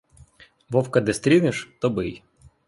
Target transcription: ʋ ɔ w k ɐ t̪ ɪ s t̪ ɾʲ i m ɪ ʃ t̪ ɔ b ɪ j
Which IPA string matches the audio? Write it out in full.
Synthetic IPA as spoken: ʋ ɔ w k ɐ d̪ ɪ s t̪ ɾʲ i n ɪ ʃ t̪ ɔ b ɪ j